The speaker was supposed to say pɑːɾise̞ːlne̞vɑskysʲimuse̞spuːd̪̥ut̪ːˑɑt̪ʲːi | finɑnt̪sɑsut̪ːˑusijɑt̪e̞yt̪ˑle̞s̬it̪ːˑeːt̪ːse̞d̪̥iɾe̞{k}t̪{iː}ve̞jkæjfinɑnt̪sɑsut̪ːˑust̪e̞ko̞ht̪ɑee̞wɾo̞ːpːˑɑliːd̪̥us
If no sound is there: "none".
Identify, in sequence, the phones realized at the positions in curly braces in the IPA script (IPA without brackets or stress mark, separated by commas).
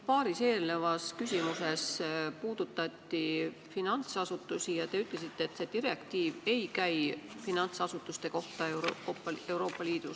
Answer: k, iː